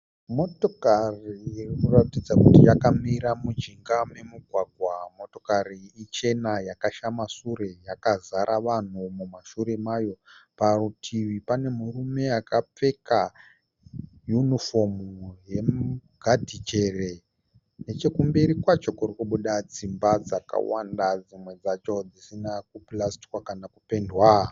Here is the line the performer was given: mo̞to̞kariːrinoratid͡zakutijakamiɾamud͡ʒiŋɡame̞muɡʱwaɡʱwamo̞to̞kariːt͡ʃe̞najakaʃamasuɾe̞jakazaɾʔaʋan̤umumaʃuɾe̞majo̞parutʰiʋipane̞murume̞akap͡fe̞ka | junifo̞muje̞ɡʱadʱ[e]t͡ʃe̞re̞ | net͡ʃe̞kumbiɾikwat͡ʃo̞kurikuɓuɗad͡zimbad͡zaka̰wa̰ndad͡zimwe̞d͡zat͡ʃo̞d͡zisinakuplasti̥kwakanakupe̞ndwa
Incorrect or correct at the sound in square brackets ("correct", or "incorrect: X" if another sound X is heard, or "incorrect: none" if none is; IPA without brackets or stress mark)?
incorrect: i